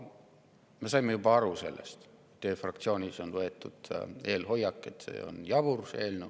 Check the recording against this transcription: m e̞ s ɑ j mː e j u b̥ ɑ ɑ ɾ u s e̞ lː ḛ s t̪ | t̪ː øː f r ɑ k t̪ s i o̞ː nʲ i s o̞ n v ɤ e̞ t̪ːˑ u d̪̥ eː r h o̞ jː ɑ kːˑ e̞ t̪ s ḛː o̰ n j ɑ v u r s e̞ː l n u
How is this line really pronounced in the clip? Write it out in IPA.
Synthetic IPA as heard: m e̞ s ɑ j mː e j u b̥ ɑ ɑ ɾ u s e̞ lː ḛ s t̪ | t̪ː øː f r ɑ k t̪ s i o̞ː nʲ i s o̞ n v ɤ e̞ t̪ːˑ u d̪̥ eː l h o̞ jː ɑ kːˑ e̞ t̪ s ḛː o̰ n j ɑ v u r s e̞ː l n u